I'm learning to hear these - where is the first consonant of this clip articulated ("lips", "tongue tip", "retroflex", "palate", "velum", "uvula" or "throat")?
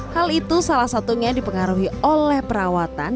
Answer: throat